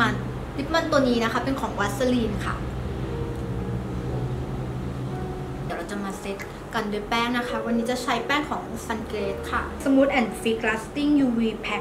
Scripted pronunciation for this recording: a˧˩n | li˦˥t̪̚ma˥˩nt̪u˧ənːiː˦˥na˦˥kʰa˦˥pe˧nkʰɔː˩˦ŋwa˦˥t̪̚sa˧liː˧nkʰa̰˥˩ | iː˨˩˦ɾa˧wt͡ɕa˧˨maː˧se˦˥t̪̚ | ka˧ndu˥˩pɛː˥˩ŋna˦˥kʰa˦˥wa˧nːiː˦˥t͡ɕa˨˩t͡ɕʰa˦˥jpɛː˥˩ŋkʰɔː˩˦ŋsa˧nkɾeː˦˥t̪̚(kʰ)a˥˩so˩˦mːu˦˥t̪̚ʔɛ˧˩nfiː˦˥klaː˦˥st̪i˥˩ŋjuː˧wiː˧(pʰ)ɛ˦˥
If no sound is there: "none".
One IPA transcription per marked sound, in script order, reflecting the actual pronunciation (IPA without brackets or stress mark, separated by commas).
kʰ, pʰ